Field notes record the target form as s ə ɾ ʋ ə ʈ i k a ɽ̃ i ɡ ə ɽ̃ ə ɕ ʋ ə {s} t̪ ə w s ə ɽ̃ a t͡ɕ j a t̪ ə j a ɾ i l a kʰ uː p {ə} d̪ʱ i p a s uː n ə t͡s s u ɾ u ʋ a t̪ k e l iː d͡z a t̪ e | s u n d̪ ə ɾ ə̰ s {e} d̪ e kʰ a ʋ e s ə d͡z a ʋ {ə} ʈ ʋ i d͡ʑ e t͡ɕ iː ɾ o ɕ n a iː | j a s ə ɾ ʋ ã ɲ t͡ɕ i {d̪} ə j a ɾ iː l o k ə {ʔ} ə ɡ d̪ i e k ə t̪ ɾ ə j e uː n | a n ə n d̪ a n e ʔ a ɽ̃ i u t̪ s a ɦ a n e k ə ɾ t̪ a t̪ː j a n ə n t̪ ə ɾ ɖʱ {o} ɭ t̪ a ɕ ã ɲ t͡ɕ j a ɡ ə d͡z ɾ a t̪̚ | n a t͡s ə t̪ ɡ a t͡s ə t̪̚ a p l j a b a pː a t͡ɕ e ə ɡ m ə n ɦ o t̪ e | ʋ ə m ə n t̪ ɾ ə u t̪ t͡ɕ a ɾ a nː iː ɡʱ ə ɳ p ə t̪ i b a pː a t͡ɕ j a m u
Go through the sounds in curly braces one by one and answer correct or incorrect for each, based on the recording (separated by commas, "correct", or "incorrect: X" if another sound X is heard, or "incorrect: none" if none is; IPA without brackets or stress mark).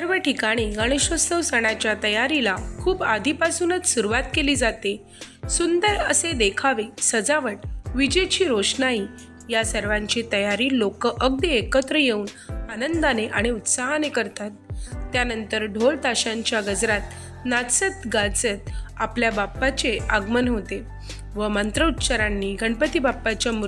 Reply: correct, incorrect: a, correct, correct, incorrect: t̪, correct, correct